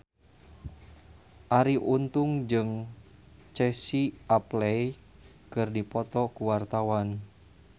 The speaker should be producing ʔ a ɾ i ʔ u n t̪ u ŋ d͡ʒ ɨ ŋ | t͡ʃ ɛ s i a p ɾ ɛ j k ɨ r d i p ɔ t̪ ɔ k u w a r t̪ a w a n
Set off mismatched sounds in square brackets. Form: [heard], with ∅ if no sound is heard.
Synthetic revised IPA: ʔ a ɾ i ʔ u n t̪ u ŋ d͡ʒ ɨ ŋ | t͡ʃ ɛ s i a p [l] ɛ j k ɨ r d i p ɔ t̪ ɔ k u w a r t̪ a w a n